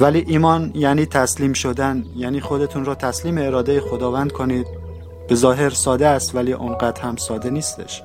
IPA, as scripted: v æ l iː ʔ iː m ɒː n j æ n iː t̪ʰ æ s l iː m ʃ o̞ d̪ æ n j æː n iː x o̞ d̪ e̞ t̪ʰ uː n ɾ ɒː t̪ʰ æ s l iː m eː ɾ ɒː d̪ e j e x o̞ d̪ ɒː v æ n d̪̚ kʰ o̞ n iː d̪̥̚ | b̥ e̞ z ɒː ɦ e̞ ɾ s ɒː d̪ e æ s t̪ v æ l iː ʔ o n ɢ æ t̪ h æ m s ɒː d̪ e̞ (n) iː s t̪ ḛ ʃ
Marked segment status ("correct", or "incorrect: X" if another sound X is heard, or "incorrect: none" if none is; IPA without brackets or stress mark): correct